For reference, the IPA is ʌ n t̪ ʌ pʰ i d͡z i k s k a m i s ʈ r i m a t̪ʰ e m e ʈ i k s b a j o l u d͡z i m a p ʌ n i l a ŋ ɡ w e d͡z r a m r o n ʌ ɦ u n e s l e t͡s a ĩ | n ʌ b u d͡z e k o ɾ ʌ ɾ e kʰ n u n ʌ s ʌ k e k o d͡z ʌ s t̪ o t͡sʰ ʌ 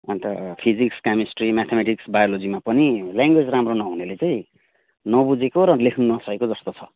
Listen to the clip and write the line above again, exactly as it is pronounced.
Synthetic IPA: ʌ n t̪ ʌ pʰ i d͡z i k s k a m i s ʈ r i m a t̪ʰ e m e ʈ i k s b a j o l o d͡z i m a p ʌ n i l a ŋ ɡ w e d͡z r a m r o n ʌ ɦ u n e l e t͡s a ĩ | n ʌ b u d͡z e k o ɾ ʌ l e kʰ n u n ʌ s ʌ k e k o d͡z ʌ s t̪ o t͡sʰ ʌ